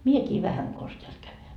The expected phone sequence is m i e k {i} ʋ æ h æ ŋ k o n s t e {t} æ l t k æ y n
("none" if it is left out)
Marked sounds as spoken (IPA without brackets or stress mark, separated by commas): iː, none